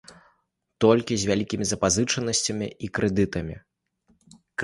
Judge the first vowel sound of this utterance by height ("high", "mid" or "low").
mid